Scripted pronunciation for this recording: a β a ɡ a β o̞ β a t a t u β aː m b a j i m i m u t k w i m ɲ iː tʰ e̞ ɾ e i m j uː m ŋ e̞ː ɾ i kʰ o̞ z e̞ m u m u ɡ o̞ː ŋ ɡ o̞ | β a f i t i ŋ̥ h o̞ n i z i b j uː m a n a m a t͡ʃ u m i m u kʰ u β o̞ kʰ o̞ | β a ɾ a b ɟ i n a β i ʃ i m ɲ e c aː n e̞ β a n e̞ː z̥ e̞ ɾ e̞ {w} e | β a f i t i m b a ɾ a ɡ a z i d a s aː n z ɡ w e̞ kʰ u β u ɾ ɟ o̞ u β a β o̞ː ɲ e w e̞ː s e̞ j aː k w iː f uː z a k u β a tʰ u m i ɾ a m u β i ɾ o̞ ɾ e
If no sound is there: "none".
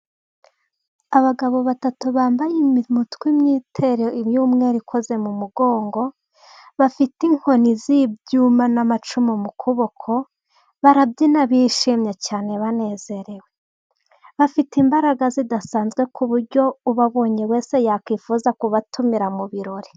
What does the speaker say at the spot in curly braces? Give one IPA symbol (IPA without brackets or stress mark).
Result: w